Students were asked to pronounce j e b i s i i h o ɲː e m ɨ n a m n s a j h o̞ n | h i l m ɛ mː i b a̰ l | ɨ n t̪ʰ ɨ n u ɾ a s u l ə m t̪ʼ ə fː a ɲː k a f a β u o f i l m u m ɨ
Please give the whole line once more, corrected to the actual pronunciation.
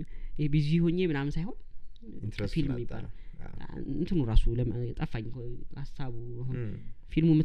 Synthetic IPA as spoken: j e b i z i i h o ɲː e m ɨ n a m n s a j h o̞ n | f i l m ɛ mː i b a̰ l | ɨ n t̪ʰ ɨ n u ɾ a s u l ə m t̪ʼ ə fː a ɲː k a s a β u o f i l m u m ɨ